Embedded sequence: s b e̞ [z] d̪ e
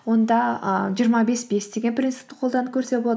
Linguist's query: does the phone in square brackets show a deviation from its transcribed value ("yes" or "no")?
yes